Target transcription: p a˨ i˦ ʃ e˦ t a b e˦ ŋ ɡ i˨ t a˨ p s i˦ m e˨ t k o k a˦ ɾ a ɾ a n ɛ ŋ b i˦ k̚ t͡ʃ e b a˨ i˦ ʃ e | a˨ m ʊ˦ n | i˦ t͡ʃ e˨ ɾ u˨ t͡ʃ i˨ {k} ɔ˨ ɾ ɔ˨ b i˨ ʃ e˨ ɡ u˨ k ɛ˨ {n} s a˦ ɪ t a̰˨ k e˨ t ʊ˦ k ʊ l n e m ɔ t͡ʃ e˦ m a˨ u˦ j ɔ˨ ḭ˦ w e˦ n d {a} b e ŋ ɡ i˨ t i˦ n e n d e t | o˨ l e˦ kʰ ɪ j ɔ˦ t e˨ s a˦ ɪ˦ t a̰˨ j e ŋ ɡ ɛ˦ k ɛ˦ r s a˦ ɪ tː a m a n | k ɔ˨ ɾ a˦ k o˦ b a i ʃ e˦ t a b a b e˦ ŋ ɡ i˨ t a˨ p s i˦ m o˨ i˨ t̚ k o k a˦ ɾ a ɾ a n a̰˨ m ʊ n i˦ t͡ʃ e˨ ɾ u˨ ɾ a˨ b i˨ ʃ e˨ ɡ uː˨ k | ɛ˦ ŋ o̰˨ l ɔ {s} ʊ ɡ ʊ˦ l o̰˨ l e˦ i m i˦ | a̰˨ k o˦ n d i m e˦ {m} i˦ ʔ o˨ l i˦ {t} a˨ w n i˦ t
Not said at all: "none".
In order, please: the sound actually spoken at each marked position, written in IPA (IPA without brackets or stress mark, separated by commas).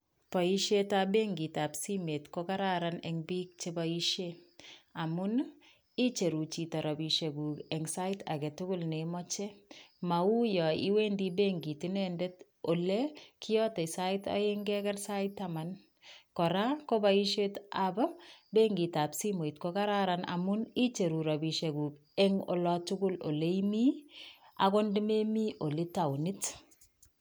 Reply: t, ŋ, i, t, m, t